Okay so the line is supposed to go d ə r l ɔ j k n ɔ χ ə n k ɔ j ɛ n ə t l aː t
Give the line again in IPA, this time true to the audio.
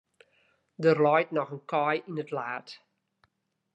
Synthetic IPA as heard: d ə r l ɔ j t n ɔ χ ə n k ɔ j i n ə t l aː t